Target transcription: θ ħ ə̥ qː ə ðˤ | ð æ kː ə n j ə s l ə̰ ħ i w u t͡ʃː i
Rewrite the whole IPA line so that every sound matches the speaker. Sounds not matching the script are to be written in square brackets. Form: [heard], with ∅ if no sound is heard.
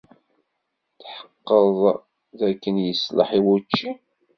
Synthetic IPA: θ ħ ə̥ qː ə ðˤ | ð æ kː ə n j ə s l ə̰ ħ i w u t͡ʃː i